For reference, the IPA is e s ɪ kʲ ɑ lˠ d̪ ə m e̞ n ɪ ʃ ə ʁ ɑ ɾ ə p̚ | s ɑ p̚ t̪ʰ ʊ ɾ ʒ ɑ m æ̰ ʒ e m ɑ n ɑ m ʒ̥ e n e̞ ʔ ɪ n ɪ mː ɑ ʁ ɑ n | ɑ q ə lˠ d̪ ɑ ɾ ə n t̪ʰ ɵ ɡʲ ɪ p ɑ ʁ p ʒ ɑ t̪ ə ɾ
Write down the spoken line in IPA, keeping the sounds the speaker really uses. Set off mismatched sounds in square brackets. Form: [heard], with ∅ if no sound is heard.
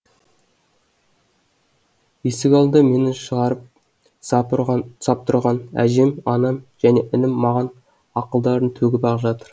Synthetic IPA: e s ɪ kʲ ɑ lˠ d̪ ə m e̞ n ɪ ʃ ə ʁ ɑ ɾ ə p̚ | s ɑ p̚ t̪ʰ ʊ ɾ [ʁ] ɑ [n] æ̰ ʒ e m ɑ n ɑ m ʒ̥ [æ] n e̞ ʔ ɪ n ɪ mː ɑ ʁ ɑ n | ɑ q ə lˠ d̪ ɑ ɾ ə n t̪ʰ ɵ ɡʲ ɪ p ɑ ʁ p ʒ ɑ t̪ ə ɾ